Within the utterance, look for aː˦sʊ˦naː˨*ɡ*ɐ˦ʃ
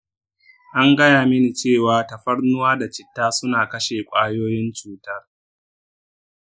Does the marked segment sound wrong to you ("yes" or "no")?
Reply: yes